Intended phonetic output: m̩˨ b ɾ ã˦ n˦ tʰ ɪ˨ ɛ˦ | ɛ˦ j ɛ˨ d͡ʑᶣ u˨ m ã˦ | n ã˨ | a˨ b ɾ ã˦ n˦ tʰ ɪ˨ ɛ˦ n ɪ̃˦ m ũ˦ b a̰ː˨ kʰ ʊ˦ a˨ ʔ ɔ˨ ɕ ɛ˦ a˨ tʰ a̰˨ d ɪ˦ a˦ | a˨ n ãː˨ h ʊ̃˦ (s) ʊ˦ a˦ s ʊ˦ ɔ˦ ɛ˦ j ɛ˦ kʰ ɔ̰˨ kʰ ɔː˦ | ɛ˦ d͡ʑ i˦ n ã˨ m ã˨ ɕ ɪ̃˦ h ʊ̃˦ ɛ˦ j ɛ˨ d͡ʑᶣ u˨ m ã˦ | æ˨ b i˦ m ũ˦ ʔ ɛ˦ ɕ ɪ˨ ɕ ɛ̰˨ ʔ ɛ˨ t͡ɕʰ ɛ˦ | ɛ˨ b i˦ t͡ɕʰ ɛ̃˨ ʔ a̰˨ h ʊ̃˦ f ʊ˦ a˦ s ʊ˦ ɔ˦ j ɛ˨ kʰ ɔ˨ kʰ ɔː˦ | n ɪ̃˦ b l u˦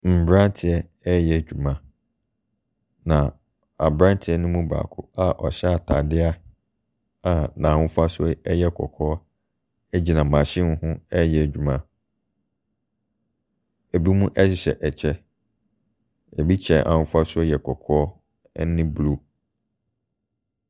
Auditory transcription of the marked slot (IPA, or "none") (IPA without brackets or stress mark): f